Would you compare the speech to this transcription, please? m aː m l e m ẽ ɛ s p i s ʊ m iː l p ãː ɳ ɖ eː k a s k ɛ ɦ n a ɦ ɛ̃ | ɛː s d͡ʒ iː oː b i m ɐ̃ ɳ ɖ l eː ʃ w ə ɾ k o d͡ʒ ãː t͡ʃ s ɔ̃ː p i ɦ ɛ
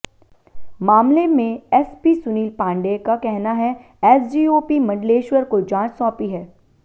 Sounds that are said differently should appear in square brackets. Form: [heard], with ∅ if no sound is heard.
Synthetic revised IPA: m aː m l e m ẽ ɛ s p i s ʊ [n] iː l p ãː ɳ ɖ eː k a [∅] k ɛ ɦ n a ɦ [ɛ] | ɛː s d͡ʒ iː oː [p] i m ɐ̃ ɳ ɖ l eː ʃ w ə ɾ k o d͡ʒ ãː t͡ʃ s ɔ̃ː p i ɦ [ɛː]